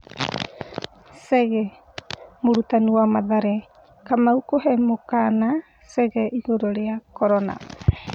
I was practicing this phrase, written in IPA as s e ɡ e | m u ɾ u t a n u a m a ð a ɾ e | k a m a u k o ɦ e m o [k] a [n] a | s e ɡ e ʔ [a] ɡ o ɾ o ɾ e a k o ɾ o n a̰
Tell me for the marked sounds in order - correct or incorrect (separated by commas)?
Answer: correct, correct, incorrect